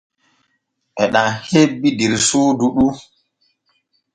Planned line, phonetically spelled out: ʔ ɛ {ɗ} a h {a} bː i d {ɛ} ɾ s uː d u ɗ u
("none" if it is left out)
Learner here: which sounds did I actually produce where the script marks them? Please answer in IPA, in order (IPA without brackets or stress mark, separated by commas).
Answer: ɗ, e, i